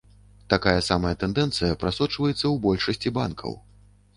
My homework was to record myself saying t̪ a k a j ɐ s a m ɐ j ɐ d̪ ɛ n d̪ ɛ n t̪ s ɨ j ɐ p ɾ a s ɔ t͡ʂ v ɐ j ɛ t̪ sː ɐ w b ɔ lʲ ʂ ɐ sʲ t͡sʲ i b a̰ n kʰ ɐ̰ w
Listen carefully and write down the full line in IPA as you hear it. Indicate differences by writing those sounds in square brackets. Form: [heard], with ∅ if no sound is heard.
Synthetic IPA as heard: t̪ a k a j ɐ s a m ɐ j ɐ [t̪] ɛ n d̪ ɛ n t̪ s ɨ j ɐ p ɾ a s ɔ t͡ʂ v ɐ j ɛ t̪ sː ɐ w b ɔ lʲ ʂ ɐ sʲ t͡sʲ i b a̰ n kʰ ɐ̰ w